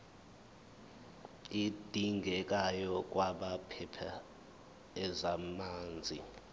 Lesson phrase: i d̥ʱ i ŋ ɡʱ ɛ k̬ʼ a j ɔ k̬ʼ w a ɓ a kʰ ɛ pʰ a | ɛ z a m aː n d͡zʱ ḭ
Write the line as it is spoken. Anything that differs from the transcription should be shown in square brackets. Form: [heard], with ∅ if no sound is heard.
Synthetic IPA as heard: i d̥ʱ i ŋ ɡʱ ɛ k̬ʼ a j ɔ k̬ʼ w a ɓ a [pʰ] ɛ pʰ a | ɛ z a m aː n d͡zʱ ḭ